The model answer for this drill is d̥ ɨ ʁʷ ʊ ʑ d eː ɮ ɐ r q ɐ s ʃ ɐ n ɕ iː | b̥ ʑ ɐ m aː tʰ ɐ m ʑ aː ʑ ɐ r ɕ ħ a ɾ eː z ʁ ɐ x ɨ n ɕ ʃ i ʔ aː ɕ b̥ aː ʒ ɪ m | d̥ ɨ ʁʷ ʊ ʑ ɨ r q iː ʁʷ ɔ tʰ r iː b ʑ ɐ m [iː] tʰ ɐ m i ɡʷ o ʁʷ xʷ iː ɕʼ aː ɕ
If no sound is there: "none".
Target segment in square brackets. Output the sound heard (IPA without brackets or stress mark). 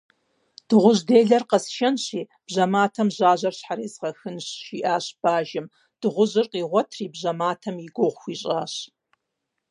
aː